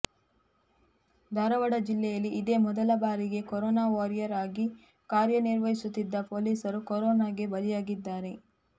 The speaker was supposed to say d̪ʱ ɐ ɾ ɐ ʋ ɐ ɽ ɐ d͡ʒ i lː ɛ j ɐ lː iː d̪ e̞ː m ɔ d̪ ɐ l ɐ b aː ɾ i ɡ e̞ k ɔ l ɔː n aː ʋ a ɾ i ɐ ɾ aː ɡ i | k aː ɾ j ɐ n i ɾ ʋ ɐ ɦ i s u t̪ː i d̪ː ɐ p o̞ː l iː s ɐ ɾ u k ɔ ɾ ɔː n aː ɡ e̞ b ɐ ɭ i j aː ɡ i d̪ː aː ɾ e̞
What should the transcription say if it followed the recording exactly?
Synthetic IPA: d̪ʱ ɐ ɾ ɐ ʋ ɐ ɽ ɐ d͡ʒ i lː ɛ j ɐ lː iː d̪ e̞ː m ɔ d̪ ɐ l ɐ b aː ɾ i ɡ e̞ k ɔ ɾ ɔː n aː ʋ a ɾ j ɐ ɾ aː ɡ i | k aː ɾ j ɐ n i ɾ ʋ ɐ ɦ i s u t̪ː i d̪ː ɐ p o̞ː l iː s ɐ ɾ u k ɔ ɾ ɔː n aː ɡ e̞ b ɐ l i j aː ɡ i d̪ː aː ɾ e̞

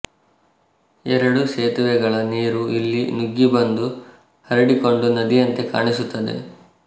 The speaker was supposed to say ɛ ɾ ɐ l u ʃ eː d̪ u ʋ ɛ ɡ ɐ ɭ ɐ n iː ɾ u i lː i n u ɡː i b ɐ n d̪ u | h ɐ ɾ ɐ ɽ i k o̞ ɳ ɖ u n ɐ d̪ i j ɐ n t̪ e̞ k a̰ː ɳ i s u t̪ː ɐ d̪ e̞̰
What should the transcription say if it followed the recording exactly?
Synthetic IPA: ɛ ɾ ɐ ɽ u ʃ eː t̪ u ʋ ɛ ɡ ɐ ɭ ɐ n iː ɾ u i lː i n u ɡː i b ɐ n d̪ u | h ɐ ɾ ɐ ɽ i k o̞ ɳ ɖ u n ɐ d̪ i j ɐ n t̪ e̞ k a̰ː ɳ i s u t̪ː ɐ d̪ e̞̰

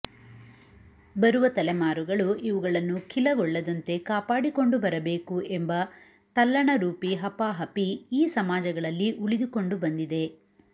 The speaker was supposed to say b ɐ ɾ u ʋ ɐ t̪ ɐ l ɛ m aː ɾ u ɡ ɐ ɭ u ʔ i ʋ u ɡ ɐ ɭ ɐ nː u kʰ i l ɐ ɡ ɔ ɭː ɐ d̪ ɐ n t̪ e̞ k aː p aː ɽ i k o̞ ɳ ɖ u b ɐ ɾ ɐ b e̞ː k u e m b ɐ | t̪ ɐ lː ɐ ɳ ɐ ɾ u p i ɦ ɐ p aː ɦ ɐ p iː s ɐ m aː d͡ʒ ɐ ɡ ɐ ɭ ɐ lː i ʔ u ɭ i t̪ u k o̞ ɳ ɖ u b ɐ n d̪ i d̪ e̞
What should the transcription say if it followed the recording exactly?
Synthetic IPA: b ɐ ɾ u ʋ ɐ t̪ ɐ l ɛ m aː ɾ u ɡ ɐ ɭ u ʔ i ʋ u ɡ ɐ ɭ ɐ nː u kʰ i l ɐ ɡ ɔ ɭː ɐ d̪ ɐ n t̪ e̞ k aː p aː ɽ i k o̞ ɳ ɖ u b ɐ ɾ ɐ b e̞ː k u e m b ɐ | t̪ ɐ lː ɐ ɳ ɐ ɾ uː p i ɦ ɐ p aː ɦ ɐ p iː s ɐ m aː d͡ʒ ɐ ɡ ɐ ɭ ɐ lː i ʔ u ɭ i d̪ u k o̞ ɳ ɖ u b ɐ n d̪ i d̪ e̞

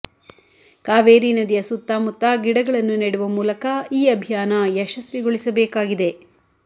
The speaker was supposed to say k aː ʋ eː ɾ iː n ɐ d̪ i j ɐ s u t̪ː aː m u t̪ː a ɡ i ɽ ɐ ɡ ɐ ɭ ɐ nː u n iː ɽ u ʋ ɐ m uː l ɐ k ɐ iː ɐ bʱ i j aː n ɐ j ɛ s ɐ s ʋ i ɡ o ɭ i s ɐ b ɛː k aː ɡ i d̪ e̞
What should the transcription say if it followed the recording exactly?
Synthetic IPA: k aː ʋ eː ɾ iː n ɐ d̪ i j ɐ s u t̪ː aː m u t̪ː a ɡ i ɽ ɐ ɡ ɐ ɭ ɐ nː u n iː ɽ u ʋ ɐ m uː l ɐ k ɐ iː ɐ bʱ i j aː n ɐ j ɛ ʃ ɐ s ʋ i ɡ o ɭ i s ɐ b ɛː k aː ɡ i d̪ e̞

